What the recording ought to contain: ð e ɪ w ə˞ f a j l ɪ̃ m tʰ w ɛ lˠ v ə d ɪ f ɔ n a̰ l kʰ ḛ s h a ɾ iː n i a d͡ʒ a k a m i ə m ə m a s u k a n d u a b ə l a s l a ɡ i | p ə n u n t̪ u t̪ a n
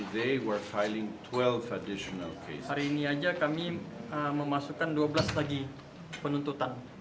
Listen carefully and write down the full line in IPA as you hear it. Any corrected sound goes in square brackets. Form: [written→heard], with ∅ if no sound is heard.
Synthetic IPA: ð e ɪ w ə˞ f a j l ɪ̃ [m→ŋ] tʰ w ɛ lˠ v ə d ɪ [f→ʃ] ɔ n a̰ l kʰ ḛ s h a ɾ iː n i a d͡ʒ a k a m i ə m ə m a s u k a n d u a b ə l a s l a ɡ i | p ə n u n t̪ u t̪ a n